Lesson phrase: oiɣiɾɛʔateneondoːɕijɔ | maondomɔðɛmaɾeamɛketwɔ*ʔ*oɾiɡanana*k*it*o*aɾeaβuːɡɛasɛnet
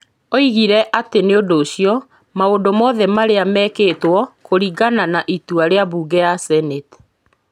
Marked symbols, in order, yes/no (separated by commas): no, no, no